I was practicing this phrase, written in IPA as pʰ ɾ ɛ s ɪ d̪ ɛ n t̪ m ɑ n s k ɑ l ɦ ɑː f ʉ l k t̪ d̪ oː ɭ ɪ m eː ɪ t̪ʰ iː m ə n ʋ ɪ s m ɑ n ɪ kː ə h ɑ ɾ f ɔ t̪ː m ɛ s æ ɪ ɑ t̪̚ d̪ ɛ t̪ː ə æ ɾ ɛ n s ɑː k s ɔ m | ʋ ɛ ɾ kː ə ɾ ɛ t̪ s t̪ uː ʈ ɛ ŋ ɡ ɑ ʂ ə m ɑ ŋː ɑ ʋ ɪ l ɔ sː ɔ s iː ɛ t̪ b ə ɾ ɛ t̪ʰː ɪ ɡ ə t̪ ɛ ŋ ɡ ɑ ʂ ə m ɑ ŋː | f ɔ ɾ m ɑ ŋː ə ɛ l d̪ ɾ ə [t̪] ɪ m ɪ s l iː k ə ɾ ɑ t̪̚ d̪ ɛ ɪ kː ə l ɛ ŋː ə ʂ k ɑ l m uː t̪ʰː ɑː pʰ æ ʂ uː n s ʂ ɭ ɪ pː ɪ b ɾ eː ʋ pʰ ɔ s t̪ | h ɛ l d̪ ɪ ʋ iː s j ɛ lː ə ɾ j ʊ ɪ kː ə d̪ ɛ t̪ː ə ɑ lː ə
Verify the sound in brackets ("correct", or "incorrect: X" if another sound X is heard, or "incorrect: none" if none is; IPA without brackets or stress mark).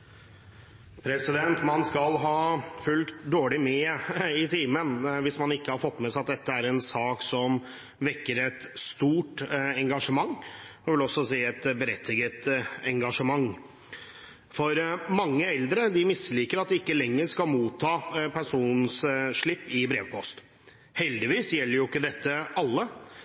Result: incorrect: d̪